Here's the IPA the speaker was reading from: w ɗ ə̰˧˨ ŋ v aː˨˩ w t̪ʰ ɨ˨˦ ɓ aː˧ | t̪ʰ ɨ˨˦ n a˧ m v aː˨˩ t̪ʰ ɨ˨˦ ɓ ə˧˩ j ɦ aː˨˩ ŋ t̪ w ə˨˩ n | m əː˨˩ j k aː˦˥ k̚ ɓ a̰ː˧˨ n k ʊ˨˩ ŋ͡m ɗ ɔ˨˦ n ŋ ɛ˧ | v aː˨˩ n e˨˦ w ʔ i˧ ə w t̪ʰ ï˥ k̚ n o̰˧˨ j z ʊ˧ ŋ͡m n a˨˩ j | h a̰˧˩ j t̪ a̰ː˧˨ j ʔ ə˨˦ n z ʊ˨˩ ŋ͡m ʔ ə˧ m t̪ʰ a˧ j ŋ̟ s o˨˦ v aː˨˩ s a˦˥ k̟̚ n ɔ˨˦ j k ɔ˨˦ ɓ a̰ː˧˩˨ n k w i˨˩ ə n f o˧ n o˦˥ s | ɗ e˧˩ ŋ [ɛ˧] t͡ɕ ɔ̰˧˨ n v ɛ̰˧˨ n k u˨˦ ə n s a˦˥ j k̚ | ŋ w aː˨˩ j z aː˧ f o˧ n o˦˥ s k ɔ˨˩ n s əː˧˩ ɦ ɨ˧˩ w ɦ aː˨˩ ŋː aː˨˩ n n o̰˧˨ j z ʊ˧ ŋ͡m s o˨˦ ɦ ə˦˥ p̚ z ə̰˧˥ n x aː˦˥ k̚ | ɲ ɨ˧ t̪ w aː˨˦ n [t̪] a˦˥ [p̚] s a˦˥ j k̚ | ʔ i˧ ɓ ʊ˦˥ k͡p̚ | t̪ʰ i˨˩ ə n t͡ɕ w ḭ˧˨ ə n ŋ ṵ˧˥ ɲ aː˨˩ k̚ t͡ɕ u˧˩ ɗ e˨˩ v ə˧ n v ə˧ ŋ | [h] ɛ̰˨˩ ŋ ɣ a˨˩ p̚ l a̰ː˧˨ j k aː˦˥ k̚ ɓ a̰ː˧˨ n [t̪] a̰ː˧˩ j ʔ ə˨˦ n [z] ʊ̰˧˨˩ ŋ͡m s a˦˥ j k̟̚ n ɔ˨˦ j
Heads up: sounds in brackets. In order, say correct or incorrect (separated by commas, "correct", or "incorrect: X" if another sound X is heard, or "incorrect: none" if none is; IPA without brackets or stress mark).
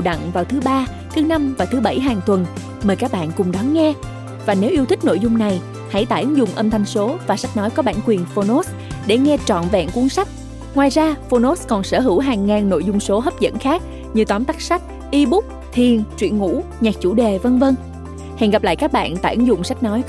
correct, correct, incorrect: k̚, correct, correct, correct